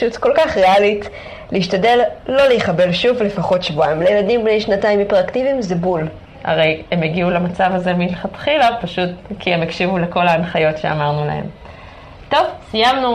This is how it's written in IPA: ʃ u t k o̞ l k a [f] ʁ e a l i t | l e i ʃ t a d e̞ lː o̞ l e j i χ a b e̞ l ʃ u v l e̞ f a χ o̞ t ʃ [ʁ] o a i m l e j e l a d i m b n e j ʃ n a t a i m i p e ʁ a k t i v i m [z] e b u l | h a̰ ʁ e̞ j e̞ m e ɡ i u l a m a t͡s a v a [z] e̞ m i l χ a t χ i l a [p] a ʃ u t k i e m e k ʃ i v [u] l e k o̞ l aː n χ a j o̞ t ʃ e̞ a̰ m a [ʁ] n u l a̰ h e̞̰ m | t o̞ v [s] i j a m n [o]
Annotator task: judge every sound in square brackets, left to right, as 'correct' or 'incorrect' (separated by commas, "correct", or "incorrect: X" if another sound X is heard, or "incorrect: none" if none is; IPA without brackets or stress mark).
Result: incorrect: χ, incorrect: v, correct, correct, correct, correct, correct, correct, incorrect: u